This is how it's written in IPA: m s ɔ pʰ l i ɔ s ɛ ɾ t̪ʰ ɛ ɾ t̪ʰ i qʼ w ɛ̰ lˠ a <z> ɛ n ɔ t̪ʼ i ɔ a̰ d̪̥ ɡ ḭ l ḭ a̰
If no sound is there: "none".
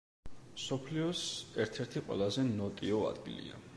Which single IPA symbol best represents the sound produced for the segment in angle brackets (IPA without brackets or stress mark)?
z